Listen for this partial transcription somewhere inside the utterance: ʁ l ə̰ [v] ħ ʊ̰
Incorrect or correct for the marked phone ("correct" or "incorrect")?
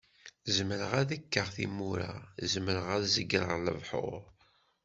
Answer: correct